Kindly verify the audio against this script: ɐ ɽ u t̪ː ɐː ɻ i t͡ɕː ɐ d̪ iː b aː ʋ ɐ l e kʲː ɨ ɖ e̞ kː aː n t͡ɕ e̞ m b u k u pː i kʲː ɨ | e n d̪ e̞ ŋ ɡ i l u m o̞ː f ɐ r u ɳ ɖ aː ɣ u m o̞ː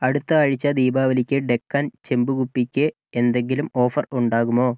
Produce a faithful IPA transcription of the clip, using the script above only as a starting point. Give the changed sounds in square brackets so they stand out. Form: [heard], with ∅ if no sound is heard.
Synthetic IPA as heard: ɐ ɽ u t̪ː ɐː ɻ i t͡ɕː ɐ d̪ iː b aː ʋ ɐ l [i] kʲː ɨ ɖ e̞ kː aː n t͡ɕ e̞ m b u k u pː i kʲː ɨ | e n d̪ e̞ ŋ ɡ i l u m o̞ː f ɐ r u ɳ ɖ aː ɣ u m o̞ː

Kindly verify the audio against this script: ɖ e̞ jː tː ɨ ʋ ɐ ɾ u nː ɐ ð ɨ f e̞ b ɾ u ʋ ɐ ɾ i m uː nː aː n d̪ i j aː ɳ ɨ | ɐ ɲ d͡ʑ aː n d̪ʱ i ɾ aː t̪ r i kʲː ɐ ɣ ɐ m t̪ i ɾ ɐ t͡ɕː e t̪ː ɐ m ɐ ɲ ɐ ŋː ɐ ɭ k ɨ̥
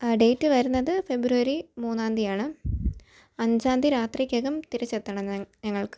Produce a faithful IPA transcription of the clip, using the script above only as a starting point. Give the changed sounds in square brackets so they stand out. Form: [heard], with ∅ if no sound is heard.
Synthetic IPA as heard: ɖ e̞ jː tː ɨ ʋ ɐ ɾ u nː ɐ ð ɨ f e̞ b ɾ u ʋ ɐ ɾ i m uː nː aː n d̪ i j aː ɳ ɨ | ɐ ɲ d͡ʑ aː n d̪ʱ i ɾ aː t̪ r i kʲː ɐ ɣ ɐ m t̪ i ɾ ɐ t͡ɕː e t̪ː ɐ [ɳ] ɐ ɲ ɐ ŋː ɐ ɭ k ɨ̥

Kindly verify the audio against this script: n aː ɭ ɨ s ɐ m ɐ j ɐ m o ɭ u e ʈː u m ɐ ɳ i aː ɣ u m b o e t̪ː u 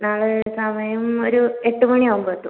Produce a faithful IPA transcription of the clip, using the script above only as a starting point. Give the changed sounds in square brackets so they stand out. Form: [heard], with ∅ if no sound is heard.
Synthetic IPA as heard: n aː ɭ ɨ s ɐ m ɐ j ɐ m o [ɾ] u e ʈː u m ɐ ɳ i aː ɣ u m b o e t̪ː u

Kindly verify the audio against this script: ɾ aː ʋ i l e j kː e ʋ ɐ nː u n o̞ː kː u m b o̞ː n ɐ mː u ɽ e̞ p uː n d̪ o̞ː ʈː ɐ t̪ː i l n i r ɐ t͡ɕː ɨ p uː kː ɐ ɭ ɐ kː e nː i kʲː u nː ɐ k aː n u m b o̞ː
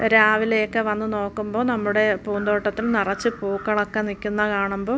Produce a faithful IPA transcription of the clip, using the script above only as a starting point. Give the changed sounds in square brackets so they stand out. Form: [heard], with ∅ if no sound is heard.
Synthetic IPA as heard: ɾ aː ʋ i l e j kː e ʋ ɐ nː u n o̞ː kː u m b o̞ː n ɐ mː u ɽ e̞ p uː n d̪ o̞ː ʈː ɐ t̪ː i l n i r ɐ t͡ɕː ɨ p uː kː ɐ ɭ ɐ kː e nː i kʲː u nː ɐ k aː [ɳ] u m b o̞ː

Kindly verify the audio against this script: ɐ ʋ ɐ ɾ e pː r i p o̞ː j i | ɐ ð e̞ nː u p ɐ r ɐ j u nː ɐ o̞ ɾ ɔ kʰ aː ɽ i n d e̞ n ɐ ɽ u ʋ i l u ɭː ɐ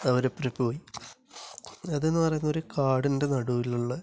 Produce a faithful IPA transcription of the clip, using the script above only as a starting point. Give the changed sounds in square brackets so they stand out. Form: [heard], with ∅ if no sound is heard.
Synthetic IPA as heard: ɐ ʋ ɐ ɾ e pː r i p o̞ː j i | ɐ ð e̞ nː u p ɐ r ɐ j u nː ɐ o̞ ɾ [u] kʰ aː ɽ i n d e̞ n ɐ ɽ u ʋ i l u ɭː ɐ

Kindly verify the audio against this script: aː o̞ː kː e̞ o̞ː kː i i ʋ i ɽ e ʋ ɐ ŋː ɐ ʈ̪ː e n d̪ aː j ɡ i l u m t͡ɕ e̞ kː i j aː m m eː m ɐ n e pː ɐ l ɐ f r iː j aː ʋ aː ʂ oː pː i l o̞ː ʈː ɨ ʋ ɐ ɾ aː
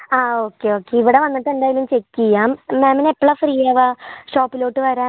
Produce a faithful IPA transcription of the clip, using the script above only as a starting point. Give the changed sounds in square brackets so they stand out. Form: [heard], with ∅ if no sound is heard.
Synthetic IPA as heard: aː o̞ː kː e̞ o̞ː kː [e] i ʋ i ɽ e ʋ ɐ [nː] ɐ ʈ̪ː e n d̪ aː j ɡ i l u m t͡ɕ e̞ kː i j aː m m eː m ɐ n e pː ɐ [ɭ] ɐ f r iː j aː ʋ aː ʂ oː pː i l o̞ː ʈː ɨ ʋ ɐ ɾ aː

